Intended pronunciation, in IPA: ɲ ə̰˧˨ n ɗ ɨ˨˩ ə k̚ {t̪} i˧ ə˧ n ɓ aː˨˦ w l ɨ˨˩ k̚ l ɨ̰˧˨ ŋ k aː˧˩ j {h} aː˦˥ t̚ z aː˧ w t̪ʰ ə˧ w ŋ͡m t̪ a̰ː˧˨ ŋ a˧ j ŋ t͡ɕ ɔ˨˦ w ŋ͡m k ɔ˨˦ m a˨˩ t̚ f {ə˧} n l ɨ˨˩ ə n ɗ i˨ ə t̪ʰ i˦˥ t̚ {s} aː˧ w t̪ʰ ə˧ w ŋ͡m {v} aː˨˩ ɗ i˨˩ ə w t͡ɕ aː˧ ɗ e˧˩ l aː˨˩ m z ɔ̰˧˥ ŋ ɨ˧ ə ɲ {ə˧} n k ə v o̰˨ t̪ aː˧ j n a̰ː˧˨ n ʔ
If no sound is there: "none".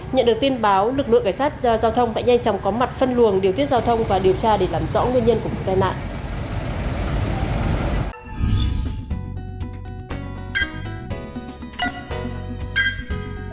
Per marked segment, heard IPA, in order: t̪, s, ə˧, z, v, ə˧

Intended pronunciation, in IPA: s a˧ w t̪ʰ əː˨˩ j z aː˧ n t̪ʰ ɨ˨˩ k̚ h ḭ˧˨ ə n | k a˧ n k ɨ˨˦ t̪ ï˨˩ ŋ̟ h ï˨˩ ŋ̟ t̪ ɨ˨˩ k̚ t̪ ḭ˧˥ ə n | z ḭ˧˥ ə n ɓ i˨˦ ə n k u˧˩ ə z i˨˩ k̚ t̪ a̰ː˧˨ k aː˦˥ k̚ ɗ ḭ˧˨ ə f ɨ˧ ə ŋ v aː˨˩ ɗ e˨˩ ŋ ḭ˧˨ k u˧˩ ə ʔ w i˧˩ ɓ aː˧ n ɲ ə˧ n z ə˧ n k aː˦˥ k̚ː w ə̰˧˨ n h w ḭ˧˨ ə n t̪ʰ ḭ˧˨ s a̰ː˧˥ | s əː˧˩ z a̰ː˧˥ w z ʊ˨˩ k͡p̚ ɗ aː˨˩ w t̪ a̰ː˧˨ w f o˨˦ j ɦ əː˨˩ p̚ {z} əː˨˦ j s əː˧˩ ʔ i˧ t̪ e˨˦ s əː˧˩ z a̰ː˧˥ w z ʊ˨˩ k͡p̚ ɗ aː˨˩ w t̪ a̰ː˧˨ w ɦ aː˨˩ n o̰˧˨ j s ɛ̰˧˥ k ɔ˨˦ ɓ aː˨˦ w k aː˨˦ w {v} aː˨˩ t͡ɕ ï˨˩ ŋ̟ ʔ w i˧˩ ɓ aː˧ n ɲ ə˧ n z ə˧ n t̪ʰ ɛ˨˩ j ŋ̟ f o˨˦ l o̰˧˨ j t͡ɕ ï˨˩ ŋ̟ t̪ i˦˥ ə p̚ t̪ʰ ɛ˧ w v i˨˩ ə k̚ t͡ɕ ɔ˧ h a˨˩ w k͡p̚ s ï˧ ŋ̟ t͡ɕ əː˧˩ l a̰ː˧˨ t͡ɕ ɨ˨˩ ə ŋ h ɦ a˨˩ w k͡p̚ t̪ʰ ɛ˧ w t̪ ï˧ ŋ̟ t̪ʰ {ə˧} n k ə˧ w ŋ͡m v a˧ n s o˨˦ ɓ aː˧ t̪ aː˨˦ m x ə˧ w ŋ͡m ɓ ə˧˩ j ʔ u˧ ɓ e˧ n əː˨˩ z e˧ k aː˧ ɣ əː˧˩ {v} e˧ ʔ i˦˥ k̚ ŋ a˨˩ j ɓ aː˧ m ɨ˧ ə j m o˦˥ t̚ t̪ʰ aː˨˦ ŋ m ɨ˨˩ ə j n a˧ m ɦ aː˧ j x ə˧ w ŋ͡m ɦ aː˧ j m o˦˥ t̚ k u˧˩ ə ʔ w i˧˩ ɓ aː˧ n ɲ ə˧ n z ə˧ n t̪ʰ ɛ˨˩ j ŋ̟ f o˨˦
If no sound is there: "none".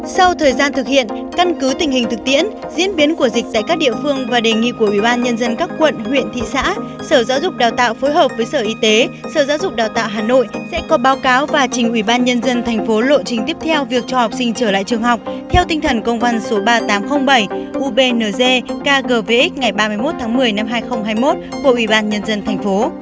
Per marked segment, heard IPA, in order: v, v, ə˨˩, v

